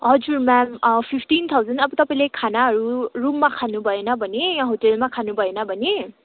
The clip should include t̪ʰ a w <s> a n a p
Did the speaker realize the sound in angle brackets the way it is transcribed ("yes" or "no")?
no